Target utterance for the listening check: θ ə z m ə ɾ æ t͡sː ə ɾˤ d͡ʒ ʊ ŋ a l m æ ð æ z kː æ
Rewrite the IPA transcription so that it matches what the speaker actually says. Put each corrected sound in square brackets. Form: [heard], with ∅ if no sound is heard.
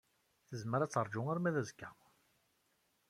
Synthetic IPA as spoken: θ ə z m ə ɾ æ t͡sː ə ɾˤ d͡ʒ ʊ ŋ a [ɾ] m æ ð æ z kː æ